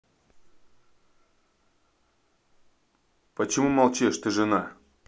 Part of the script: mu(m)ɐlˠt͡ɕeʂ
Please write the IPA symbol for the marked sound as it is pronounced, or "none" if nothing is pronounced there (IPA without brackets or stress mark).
m